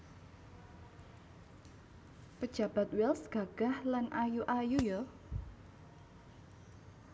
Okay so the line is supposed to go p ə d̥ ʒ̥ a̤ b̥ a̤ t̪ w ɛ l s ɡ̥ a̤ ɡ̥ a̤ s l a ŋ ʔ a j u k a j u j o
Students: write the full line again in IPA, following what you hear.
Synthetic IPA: p ə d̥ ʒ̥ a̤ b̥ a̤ t̪ w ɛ l s ɡ̥ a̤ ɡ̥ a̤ h l a n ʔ a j u ʔ a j u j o